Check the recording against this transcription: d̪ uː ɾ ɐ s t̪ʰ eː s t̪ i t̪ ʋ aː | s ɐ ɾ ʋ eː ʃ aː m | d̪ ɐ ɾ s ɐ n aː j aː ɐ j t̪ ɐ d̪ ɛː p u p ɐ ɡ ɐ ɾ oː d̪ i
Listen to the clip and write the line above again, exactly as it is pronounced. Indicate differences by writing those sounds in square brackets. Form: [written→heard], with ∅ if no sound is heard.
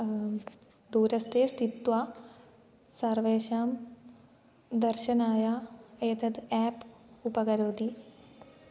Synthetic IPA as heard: d̪ uː ɾ ɐ s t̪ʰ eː s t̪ i t̪ ʋ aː | s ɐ ɾ ʋ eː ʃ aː m | d̪ ɐ ɾ [s→ʃ] ɐ n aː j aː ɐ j t̪ ɐ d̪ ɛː p u p ɐ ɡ ɐ ɾ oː d̪ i